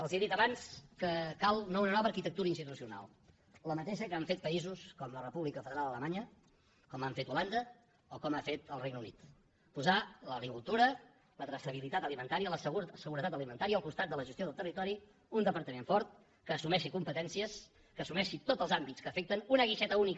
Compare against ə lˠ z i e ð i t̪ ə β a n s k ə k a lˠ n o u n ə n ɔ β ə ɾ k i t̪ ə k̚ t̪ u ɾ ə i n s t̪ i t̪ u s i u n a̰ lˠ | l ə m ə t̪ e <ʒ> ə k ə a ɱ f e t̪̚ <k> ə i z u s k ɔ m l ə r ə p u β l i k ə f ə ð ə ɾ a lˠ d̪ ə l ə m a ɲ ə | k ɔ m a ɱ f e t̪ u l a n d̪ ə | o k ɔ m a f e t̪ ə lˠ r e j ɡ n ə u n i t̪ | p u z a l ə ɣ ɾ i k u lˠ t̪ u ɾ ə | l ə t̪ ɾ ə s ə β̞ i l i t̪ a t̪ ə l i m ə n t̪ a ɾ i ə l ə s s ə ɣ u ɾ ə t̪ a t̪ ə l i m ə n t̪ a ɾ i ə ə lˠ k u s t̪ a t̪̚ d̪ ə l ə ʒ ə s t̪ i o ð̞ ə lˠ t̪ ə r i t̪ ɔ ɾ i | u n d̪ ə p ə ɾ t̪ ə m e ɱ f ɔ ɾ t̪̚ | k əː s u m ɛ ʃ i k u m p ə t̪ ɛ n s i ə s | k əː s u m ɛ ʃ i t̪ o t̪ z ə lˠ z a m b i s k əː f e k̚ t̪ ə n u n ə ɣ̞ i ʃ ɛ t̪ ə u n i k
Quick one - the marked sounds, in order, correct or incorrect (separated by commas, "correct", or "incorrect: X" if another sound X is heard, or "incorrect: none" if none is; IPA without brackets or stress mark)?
incorrect: ʃ, incorrect: p